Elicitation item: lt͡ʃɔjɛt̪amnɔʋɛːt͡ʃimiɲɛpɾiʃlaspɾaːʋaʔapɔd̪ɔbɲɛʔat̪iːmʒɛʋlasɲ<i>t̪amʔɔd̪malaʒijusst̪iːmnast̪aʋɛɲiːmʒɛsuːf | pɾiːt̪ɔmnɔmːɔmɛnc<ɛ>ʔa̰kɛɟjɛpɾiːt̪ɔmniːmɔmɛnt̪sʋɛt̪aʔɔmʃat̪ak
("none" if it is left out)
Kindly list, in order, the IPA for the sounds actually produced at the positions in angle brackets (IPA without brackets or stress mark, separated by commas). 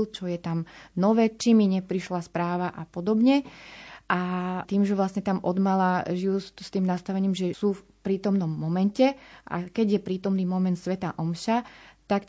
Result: ɛ, ɛ